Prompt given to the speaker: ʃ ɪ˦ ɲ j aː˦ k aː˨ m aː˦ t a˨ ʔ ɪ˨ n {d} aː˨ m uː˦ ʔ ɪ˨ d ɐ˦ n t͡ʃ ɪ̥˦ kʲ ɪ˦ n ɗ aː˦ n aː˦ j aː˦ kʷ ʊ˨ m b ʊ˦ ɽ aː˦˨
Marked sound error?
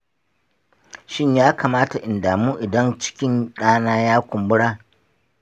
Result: no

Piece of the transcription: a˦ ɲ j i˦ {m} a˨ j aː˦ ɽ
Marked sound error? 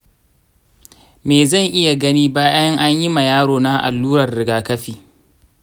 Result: no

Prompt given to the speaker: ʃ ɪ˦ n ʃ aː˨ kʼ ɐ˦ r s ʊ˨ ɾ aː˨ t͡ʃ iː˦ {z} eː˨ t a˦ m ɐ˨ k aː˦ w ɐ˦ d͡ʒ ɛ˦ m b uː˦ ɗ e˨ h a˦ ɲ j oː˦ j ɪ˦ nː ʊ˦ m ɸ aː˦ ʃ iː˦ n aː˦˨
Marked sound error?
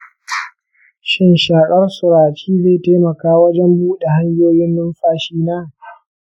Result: no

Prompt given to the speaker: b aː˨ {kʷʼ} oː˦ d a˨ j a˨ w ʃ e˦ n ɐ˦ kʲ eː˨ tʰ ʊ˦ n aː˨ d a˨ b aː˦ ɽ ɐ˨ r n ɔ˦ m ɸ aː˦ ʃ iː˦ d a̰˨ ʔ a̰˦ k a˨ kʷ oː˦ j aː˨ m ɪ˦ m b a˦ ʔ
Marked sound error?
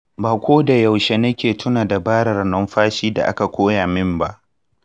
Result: yes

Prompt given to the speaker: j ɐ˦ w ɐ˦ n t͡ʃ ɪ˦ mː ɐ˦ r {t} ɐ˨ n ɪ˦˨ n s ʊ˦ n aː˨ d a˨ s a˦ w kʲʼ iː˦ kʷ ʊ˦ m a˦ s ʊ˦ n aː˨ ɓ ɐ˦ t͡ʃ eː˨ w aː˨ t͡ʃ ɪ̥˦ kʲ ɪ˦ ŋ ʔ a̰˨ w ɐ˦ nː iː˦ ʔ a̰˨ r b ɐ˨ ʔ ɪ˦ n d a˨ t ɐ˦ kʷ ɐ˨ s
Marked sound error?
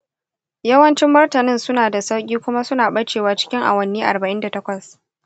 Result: no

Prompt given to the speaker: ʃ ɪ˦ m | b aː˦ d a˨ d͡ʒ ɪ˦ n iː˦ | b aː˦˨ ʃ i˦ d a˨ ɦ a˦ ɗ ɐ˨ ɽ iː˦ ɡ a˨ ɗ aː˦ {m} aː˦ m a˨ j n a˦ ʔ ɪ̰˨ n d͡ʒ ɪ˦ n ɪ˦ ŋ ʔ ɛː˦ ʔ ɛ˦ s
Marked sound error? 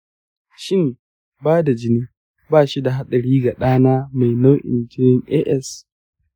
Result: yes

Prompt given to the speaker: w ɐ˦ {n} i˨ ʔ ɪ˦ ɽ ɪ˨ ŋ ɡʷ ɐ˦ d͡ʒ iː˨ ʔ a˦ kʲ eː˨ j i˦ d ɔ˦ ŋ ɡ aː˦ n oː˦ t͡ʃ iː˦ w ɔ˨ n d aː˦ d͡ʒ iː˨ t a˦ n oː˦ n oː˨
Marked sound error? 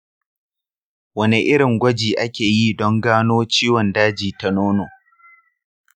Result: no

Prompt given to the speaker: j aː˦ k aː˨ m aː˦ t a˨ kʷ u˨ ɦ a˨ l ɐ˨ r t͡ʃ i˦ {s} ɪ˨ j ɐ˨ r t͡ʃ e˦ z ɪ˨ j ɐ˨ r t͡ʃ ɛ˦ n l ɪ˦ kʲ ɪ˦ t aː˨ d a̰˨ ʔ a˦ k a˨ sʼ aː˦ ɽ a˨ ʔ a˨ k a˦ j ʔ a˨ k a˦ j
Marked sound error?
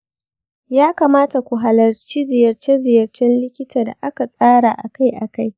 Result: yes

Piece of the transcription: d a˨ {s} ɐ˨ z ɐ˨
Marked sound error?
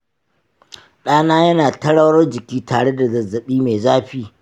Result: yes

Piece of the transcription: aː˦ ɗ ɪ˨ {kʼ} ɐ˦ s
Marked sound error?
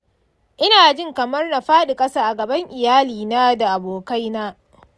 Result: no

